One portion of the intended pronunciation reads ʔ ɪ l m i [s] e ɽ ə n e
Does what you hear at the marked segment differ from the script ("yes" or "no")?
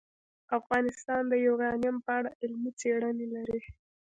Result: yes